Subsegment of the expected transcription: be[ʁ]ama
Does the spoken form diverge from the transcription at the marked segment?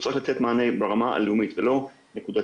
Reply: no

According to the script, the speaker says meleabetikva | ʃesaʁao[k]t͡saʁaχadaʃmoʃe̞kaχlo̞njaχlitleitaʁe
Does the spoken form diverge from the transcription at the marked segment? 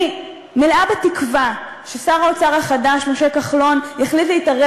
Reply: yes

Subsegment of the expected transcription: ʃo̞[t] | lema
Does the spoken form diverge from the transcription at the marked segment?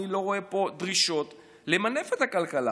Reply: no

